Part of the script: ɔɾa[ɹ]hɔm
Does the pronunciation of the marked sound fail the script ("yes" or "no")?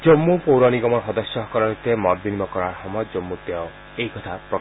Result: yes